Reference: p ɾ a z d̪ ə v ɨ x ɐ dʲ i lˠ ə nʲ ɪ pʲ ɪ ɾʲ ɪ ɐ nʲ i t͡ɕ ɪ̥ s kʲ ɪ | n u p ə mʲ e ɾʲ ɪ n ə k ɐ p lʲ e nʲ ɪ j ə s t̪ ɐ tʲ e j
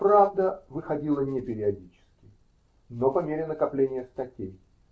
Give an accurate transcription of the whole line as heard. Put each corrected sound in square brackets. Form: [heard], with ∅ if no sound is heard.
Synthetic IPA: p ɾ a [v] d̪ ə v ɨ x ɐ dʲ i lˠ ə nʲ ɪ pʲ ɪ ɾʲ ɪ ɐ [dʲ] i t͡ɕ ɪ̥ s kʲ ɪ | n [o] p [ɐ] mʲ e ɾʲ ɪ n ə k ɐ p lʲ e nʲ ɪ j ə s t̪ ɐ tʲ e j